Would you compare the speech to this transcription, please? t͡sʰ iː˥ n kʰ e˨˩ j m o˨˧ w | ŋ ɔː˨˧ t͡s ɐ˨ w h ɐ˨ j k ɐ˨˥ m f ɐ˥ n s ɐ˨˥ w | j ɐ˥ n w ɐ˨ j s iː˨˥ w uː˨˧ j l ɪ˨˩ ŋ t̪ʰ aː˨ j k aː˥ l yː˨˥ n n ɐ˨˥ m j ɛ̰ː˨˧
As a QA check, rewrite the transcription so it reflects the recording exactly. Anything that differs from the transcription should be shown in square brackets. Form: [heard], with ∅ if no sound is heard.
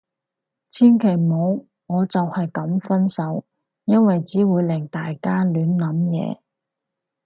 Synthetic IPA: t͡sʰ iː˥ n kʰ e˨˩ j m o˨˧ w | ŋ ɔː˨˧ t͡s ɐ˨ w h ɐ˨ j k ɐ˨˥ m f ɐ˥ n s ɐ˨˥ w | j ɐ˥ n w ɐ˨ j [t͡s] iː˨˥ w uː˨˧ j l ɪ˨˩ ŋ [t̪] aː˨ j k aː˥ l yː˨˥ n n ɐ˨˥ m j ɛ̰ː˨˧